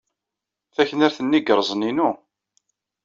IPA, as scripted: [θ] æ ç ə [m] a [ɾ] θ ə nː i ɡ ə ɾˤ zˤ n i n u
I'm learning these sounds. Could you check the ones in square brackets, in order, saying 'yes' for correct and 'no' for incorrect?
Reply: yes, no, yes

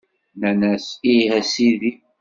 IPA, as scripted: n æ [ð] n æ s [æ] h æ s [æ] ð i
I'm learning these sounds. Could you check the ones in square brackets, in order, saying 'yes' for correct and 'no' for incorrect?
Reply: no, no, no

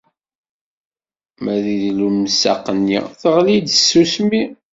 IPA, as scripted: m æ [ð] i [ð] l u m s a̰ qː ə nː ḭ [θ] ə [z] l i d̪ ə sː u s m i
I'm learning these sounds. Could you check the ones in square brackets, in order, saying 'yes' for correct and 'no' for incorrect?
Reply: yes, yes, yes, no

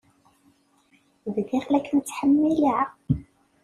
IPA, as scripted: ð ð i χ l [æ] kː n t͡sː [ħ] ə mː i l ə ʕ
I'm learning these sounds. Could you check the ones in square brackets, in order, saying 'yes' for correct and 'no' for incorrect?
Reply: yes, yes

